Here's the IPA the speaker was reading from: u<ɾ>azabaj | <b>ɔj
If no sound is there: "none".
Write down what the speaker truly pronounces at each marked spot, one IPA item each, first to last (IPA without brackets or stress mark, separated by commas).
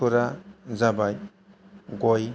ɾ, ɡ